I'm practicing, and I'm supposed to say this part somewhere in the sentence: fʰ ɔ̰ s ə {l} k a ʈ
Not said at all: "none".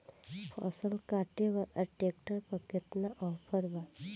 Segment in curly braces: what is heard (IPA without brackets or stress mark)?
l